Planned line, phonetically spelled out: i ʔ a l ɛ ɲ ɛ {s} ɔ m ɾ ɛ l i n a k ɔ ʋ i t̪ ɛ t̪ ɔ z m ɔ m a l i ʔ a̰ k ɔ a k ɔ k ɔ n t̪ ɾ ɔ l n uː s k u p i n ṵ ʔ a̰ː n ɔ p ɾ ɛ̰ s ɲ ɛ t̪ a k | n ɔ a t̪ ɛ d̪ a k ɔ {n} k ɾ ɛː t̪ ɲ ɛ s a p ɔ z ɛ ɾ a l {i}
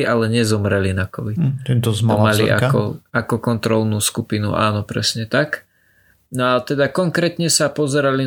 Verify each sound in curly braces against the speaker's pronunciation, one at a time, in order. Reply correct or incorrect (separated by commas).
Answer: incorrect, incorrect, correct